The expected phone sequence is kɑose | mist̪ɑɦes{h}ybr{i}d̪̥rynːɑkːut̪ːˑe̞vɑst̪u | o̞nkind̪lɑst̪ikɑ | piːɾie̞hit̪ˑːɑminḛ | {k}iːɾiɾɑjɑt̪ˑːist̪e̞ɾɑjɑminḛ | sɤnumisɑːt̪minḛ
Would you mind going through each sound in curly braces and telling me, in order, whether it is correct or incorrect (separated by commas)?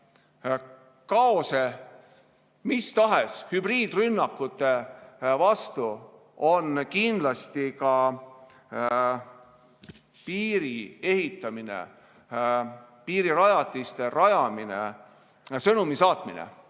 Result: correct, incorrect, incorrect